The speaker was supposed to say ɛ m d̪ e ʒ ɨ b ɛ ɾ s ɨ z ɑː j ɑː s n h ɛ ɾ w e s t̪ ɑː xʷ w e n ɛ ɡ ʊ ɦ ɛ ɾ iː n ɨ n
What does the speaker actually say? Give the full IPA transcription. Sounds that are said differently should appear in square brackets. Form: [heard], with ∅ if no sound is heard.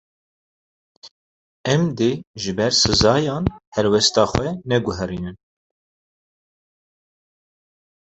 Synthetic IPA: ɛ m d̪ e ʒ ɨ b ɛ ɾ s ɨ z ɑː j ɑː [∅] n h ɛ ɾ w [ɛ] s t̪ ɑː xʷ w [ɛ] n ɛ ɡ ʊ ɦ ɛ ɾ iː n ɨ n